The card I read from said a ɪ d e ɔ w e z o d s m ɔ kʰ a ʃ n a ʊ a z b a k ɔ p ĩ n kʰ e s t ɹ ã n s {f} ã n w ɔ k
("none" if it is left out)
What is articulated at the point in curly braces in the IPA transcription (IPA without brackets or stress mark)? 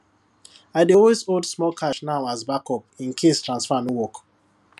f